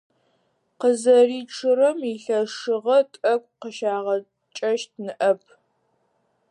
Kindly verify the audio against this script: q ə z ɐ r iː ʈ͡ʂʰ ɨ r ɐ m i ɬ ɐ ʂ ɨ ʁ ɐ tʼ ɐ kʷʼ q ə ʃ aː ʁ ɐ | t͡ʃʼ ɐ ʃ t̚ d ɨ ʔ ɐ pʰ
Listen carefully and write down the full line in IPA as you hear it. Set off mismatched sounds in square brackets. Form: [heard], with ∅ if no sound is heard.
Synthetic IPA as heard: q ə z ɐ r iː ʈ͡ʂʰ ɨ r ɐ m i ɬ ɐ ʂ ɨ ʁ ɐ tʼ ɐ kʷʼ q ə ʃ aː ʁ ɐ | t͡ʃʼ ɐ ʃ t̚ [n] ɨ ʔ ɐ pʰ